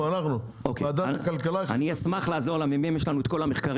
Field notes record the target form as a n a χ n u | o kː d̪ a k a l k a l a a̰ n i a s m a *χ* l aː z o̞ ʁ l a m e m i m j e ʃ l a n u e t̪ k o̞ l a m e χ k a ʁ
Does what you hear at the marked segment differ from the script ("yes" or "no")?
no